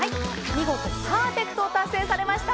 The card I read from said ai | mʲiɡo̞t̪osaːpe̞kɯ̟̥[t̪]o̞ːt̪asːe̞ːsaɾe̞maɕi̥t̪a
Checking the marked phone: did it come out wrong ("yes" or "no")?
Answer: no